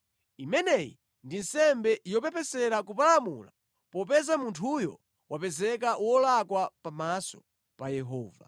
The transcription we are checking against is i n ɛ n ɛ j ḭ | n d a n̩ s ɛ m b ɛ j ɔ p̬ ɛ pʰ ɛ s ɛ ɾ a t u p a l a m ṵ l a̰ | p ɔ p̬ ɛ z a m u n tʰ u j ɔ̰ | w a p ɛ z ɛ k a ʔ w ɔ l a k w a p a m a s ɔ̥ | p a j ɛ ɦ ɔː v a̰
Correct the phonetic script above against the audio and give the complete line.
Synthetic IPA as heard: i m ɛ n ɛ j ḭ | n d i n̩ s ɛ m b ɛ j ɔ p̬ ɛ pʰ ɛ s ɛ ɾ a k u p a l a m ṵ l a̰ | p ɔ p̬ ɛ z a m u n tʰ u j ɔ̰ | w a p ɛ z ɛ k a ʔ w ɔ l a k w a p a m a s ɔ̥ | p a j ɛ ɦ ɔː v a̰